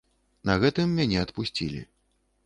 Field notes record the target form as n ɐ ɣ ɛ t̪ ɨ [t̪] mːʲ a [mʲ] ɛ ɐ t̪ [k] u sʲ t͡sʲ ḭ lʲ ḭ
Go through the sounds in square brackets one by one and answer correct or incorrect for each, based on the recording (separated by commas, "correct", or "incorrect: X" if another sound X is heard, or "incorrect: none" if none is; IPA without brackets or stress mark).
incorrect: none, incorrect: nʲ, incorrect: p